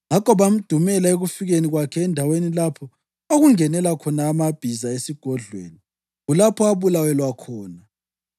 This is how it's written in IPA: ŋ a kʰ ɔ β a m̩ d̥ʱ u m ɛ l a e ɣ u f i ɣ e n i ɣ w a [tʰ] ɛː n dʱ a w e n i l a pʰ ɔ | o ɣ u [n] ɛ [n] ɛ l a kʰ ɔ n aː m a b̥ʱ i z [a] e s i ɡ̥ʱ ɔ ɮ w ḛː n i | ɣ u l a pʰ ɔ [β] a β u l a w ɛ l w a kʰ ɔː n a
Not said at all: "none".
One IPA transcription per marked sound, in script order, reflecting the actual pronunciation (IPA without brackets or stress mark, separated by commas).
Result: kʰ, ŋ, n, a, none